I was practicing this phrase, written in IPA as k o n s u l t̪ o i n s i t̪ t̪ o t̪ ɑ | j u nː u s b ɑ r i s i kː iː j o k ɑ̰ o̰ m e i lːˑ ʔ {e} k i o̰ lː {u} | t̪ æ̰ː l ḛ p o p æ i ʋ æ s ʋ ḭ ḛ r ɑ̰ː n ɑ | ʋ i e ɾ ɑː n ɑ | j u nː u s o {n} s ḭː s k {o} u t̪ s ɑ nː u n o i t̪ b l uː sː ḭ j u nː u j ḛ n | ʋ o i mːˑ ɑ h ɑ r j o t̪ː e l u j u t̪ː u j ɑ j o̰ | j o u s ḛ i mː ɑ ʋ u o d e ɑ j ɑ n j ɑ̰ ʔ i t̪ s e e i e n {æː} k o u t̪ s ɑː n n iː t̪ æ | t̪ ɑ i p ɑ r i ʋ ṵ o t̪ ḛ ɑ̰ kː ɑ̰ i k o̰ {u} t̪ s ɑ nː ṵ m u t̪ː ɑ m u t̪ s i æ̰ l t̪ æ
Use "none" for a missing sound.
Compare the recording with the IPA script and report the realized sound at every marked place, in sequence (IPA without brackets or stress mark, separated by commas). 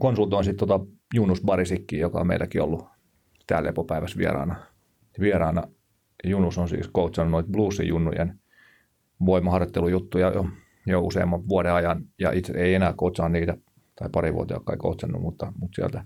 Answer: æ, u, n, o, æː, u